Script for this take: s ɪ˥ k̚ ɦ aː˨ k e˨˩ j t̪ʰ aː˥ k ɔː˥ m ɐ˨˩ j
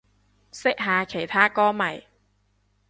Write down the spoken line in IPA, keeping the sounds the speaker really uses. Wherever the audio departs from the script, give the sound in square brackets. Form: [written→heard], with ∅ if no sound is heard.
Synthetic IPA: s ɪ˥ k̚ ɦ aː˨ [k→kʰ] e˨˩ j t̪ʰ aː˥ k ɔː˥ m ɐ˨˩ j